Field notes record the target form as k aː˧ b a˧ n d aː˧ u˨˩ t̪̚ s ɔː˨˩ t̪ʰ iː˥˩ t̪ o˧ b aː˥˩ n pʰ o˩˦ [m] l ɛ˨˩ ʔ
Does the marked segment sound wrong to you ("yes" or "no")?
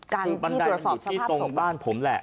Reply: no